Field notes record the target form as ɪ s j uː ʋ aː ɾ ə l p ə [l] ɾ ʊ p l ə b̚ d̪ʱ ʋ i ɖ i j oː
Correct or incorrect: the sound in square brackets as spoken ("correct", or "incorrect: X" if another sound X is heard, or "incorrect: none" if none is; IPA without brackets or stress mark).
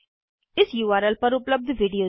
incorrect: none